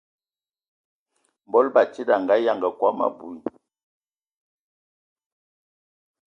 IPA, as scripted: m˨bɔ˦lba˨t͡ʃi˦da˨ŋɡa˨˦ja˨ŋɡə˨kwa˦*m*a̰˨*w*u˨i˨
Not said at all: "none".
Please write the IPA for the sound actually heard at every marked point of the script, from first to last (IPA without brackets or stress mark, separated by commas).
m, b